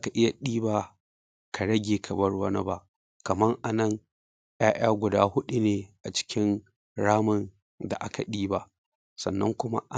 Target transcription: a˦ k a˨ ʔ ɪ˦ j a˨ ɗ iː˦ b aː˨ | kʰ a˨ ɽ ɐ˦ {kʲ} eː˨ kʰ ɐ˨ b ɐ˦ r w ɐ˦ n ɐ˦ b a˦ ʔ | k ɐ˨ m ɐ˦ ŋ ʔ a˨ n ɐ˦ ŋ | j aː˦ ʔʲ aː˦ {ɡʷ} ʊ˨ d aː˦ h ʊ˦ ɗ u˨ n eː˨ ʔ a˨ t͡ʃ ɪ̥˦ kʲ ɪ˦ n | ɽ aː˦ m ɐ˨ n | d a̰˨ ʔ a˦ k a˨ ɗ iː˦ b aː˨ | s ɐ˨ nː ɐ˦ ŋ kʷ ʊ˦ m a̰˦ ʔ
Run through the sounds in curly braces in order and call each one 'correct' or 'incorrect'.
incorrect: ɡʲ, correct

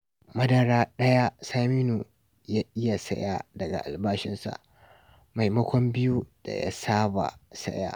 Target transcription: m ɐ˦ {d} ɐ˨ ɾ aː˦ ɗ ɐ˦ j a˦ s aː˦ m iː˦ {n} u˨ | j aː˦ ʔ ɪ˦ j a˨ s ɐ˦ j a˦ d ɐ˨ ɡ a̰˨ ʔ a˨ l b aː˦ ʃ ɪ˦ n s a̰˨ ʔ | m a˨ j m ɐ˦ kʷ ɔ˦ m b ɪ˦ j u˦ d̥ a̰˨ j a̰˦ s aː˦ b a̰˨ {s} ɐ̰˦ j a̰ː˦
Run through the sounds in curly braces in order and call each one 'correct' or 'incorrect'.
correct, correct, correct

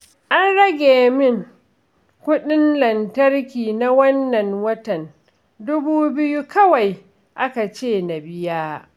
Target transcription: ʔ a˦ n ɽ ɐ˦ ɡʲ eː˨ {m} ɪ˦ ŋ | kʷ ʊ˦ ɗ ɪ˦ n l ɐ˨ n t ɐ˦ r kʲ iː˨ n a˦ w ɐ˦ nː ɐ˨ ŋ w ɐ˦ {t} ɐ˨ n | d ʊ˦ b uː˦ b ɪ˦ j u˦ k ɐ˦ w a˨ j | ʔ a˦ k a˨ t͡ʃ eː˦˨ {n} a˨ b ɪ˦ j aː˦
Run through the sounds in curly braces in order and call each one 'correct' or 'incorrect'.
correct, correct, correct

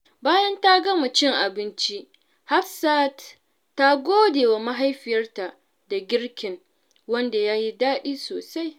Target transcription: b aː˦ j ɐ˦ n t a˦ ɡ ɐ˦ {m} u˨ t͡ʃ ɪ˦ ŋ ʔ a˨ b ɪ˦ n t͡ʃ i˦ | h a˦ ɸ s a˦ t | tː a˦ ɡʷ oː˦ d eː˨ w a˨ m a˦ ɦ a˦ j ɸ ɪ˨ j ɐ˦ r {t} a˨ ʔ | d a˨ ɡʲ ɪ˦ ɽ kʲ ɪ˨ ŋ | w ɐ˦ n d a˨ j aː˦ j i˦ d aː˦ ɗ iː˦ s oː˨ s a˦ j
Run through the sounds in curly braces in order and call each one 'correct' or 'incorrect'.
correct, correct

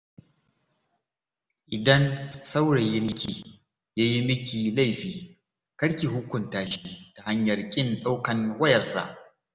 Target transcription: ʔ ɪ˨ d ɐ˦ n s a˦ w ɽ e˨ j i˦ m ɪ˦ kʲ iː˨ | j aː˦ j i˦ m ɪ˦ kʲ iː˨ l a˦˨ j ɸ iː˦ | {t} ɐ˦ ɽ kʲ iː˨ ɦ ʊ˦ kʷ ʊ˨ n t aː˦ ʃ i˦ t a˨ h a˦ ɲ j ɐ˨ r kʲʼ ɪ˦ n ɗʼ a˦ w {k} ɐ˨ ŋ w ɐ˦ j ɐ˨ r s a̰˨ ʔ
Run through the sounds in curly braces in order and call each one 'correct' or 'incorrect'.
incorrect: k, correct

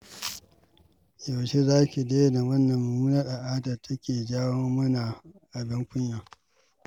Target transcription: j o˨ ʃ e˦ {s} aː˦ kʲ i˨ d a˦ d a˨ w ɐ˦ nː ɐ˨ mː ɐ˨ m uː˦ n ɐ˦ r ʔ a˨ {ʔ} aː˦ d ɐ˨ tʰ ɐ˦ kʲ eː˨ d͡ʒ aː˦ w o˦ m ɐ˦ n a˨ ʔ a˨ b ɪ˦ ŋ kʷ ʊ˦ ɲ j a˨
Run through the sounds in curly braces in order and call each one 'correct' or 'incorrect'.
incorrect: z, correct

